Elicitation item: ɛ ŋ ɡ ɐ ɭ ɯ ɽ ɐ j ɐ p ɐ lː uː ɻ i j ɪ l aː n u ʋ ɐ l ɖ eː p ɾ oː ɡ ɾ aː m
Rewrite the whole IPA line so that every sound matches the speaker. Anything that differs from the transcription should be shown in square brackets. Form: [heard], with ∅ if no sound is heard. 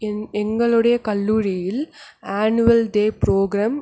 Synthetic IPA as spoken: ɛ ŋ ɡ ɐ ɭ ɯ ɽ ɐ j ɐ [k] ɐ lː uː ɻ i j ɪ l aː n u ʋ ɐ l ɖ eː p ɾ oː ɡ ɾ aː m